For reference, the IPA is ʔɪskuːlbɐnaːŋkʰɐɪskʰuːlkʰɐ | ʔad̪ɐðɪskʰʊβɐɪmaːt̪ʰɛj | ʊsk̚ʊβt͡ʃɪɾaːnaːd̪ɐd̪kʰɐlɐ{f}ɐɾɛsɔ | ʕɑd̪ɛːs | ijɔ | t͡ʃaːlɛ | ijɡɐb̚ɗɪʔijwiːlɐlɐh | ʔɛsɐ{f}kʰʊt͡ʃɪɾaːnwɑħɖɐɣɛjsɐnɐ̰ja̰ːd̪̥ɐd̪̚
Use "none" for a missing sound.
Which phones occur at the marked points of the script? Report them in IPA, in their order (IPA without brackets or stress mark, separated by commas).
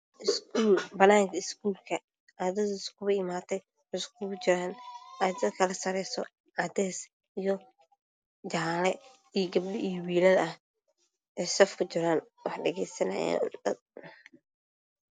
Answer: s, f